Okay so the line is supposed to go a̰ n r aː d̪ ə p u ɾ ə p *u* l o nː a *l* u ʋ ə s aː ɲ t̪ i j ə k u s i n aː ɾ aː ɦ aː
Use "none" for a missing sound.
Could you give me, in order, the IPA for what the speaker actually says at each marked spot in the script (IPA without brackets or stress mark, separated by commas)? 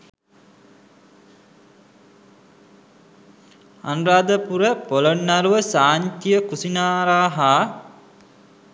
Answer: o, ɾ